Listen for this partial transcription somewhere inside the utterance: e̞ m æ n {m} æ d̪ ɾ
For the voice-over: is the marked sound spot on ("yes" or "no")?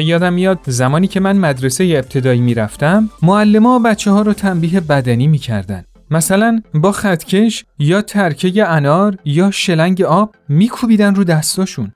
yes